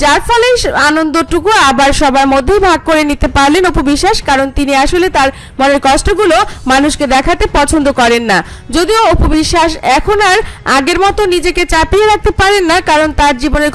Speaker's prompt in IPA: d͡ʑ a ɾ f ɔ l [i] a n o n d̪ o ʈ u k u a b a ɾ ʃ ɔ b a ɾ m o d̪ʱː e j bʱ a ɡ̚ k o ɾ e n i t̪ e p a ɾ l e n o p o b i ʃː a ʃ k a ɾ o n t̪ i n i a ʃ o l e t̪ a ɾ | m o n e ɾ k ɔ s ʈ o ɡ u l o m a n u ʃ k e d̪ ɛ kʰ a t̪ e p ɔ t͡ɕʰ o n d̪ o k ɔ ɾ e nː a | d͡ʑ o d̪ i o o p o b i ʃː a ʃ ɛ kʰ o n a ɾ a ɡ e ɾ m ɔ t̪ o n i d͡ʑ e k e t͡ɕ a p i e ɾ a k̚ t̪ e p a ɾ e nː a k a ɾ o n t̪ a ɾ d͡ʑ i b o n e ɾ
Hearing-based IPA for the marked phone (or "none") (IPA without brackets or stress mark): e